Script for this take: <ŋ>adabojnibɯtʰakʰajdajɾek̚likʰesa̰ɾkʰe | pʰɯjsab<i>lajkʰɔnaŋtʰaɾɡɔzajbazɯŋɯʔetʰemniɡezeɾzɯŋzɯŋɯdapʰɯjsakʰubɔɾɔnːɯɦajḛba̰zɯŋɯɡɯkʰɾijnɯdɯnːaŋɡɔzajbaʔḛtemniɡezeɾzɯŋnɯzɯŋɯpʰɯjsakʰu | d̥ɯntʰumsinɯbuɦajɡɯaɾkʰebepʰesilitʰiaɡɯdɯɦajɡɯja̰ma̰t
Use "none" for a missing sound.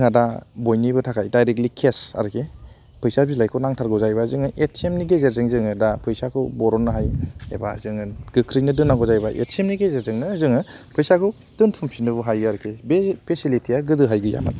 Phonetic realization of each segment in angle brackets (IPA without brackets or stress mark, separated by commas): ŋ, i